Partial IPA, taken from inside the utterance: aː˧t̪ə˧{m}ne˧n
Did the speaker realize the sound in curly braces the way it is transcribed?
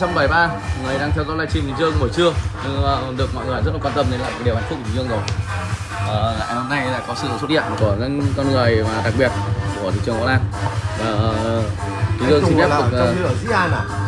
yes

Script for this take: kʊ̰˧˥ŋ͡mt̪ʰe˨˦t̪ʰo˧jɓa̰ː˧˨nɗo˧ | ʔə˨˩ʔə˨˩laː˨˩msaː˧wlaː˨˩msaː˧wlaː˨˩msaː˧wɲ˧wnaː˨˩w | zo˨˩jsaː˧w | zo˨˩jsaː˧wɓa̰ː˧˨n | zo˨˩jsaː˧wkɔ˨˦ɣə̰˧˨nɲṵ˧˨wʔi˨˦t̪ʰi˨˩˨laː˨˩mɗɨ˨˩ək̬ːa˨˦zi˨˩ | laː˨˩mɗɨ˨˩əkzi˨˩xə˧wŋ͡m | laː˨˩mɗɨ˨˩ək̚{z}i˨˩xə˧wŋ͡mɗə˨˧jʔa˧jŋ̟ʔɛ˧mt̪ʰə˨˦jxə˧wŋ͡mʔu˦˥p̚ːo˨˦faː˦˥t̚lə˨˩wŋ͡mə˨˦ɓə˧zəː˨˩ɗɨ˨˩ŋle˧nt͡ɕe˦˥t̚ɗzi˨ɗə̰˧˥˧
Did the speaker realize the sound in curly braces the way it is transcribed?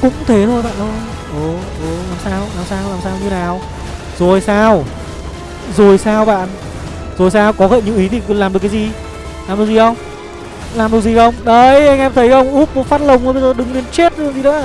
yes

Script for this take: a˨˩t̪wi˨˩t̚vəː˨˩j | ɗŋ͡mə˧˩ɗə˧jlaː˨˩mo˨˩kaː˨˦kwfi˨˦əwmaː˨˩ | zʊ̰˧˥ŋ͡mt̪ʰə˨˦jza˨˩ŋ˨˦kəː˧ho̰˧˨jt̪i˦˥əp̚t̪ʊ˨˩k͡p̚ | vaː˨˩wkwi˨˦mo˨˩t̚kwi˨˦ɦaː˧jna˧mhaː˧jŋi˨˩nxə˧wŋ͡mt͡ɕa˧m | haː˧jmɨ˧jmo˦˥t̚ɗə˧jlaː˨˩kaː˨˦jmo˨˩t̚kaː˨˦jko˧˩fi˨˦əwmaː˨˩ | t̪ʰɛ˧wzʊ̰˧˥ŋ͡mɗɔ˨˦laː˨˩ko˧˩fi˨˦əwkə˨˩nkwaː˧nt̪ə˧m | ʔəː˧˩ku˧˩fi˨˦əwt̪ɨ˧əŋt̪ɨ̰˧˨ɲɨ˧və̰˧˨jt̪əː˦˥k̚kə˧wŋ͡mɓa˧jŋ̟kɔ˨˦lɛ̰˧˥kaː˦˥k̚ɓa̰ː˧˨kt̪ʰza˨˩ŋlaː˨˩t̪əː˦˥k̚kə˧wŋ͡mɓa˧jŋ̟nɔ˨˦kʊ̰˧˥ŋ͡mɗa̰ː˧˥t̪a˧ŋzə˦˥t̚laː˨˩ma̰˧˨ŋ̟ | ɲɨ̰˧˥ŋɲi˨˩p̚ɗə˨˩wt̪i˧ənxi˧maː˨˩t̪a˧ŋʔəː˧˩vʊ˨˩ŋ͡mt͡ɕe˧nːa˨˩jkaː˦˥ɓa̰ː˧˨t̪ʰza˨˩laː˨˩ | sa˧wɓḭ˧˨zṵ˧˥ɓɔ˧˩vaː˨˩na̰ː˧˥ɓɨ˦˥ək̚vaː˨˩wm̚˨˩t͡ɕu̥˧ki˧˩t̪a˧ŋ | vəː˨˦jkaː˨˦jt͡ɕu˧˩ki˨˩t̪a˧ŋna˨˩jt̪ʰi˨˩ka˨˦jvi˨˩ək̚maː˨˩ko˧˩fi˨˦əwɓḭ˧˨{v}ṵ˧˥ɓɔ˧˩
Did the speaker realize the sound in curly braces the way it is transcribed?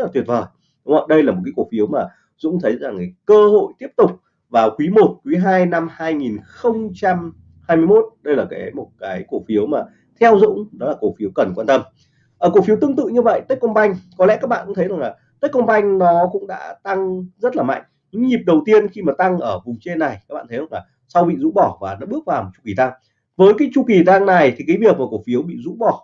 no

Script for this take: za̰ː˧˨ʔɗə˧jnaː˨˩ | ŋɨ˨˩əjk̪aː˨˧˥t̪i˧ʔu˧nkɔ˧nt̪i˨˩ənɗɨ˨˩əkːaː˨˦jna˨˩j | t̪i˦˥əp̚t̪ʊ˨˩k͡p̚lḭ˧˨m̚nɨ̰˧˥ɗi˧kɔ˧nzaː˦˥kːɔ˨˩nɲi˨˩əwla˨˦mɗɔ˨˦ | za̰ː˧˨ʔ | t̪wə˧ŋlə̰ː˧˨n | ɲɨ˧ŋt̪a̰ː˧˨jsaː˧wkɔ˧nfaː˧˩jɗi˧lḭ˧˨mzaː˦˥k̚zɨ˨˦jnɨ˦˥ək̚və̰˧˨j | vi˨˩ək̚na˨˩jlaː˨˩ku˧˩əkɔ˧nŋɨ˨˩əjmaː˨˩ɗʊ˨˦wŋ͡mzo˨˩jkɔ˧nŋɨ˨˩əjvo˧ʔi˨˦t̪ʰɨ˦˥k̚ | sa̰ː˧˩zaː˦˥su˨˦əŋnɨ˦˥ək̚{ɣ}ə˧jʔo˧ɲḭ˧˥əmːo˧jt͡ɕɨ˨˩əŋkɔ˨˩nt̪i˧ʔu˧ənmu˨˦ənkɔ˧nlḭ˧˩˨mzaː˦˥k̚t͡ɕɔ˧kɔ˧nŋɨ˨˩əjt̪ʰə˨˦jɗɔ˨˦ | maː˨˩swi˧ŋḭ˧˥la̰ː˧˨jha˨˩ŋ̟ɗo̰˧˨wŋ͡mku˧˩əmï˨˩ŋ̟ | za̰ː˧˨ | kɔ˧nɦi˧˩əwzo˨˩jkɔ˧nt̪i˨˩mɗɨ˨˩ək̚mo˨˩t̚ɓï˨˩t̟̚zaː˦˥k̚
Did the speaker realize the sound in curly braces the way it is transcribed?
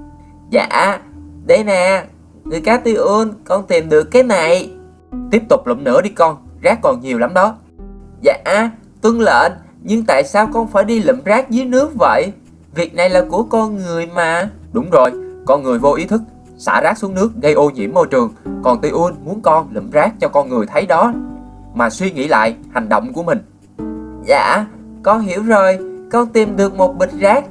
yes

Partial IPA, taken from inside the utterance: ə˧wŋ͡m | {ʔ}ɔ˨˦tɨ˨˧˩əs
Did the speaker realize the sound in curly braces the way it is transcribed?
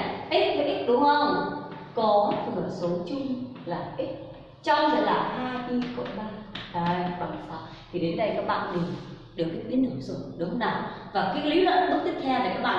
no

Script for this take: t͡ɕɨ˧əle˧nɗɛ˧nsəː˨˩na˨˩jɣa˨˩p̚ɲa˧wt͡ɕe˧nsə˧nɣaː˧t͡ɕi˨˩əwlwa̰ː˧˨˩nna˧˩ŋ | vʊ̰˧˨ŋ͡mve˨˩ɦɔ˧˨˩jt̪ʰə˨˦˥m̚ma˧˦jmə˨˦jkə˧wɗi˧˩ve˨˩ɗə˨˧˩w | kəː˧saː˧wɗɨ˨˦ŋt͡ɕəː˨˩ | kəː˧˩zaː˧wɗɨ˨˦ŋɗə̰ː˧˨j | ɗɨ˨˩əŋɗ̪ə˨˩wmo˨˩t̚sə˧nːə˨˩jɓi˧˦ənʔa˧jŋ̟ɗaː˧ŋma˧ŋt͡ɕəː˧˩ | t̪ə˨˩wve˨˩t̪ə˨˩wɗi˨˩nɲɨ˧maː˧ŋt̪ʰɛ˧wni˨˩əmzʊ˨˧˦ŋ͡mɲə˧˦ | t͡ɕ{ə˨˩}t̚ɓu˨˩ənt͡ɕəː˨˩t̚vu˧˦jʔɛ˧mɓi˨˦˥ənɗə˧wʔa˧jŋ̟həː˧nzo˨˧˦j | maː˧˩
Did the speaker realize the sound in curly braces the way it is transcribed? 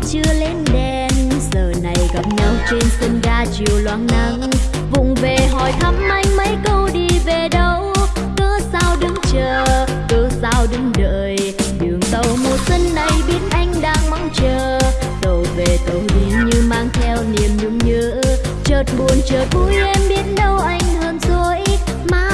no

